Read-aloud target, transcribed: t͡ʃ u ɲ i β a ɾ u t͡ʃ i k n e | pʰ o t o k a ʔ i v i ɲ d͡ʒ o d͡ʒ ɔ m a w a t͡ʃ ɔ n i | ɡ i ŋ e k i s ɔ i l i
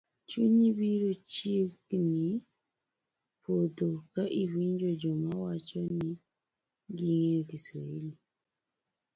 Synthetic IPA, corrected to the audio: t͡ʃ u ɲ i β i ɾ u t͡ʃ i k n i | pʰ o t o k a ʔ i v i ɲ d͡ʒ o d͡ʒ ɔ m a w a t͡ʃ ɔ n i | ɡ i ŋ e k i s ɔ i l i